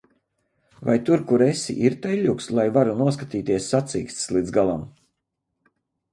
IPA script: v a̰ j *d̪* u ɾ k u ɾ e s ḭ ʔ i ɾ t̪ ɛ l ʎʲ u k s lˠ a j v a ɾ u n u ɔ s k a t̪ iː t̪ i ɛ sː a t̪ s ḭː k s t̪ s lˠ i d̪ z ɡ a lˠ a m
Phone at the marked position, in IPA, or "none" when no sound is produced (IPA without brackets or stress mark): t̪